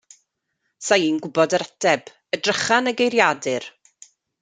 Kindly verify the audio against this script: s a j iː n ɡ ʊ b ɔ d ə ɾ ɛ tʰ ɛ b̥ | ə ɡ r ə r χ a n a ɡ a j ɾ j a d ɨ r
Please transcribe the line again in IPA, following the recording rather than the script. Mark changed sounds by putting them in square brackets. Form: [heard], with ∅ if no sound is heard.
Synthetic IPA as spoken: s a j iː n ɡ ʊ b ɔ d ə ɾ ɛ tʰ ɛ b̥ | ə [d] r ə [∅] χ a n [ə] ɡ [e] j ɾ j a d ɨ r